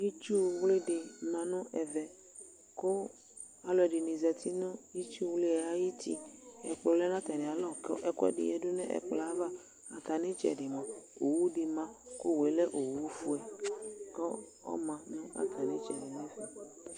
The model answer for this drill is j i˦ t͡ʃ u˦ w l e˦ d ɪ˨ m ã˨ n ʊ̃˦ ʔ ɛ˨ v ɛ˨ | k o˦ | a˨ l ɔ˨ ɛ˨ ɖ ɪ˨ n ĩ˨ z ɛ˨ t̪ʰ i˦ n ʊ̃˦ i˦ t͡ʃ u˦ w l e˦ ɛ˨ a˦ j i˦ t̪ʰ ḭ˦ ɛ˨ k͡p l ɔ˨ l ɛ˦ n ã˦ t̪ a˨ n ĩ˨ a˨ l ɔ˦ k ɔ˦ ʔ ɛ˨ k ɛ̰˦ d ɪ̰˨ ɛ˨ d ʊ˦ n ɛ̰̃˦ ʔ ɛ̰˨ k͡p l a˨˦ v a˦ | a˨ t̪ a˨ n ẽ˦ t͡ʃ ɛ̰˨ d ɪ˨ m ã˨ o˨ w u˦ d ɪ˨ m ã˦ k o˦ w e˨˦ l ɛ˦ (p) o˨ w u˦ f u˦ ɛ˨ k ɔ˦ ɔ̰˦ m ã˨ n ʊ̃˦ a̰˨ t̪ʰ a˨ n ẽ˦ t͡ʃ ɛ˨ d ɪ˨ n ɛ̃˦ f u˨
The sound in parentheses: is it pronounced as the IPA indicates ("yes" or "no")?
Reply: no